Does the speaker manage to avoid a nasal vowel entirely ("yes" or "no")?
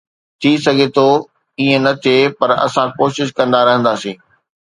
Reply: no